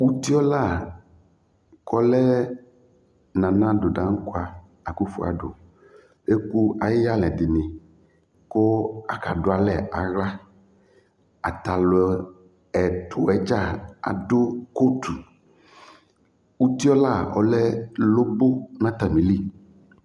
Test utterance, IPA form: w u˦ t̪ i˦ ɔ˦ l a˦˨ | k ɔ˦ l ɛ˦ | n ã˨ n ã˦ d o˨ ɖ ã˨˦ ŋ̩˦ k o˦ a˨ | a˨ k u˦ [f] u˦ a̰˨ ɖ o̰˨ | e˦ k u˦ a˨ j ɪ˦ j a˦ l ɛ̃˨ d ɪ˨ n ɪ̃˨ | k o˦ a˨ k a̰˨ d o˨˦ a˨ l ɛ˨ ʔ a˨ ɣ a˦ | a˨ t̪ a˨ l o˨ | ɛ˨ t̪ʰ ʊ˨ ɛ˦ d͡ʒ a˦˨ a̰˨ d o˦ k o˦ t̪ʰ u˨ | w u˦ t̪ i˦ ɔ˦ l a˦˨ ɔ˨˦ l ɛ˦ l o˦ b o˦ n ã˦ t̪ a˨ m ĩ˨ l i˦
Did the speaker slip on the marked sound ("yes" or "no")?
no